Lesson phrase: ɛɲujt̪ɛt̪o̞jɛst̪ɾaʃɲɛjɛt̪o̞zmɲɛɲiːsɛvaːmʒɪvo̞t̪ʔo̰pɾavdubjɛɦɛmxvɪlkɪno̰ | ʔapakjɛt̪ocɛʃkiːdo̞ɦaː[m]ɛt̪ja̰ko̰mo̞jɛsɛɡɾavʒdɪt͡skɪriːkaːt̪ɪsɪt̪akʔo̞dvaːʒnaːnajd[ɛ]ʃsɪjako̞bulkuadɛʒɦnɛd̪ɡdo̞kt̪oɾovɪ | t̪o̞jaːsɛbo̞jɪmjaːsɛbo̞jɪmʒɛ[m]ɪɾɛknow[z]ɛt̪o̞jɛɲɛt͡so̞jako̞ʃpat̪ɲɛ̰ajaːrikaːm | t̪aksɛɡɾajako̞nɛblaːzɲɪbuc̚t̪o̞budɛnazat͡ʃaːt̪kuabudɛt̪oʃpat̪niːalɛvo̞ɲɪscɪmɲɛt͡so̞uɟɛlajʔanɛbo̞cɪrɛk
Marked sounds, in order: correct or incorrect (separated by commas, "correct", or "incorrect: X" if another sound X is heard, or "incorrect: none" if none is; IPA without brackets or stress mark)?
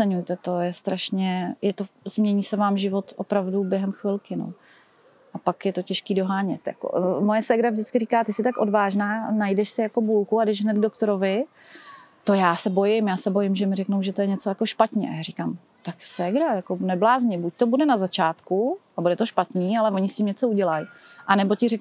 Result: incorrect: ɲ, correct, correct, incorrect: ʒ